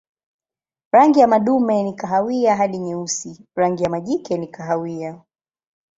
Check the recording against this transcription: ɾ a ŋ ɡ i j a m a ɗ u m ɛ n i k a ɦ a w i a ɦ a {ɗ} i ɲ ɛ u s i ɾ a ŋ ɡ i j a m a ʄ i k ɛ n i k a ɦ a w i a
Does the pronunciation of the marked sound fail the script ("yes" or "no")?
no